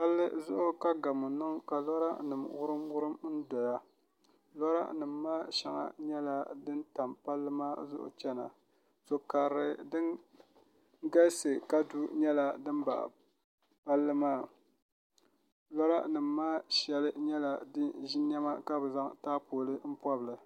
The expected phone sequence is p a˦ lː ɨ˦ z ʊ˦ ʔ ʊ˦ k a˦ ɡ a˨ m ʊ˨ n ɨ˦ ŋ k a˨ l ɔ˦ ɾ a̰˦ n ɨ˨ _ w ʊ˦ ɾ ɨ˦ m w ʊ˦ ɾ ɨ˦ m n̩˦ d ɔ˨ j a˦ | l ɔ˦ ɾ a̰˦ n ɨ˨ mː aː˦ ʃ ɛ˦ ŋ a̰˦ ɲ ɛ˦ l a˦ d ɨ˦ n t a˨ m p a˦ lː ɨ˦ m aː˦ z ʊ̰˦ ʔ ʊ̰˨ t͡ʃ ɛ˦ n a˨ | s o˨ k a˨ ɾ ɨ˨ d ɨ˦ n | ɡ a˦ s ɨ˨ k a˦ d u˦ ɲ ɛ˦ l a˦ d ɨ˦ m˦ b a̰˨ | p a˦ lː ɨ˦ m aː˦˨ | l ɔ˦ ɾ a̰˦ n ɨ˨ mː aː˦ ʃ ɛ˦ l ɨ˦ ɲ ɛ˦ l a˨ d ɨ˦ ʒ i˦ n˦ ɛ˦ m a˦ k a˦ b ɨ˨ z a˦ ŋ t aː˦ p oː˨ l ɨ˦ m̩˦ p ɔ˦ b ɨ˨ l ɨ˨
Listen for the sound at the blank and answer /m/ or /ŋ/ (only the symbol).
m